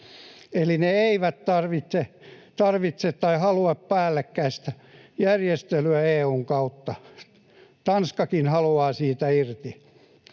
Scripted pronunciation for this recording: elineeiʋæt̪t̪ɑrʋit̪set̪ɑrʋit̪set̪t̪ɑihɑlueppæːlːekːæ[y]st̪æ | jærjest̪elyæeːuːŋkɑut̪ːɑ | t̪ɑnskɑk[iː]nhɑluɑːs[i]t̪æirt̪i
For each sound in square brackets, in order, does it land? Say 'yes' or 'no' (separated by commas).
no, no, no